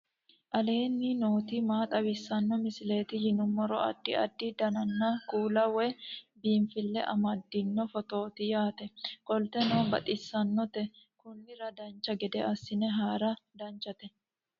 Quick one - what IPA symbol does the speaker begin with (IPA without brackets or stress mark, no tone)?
ʔ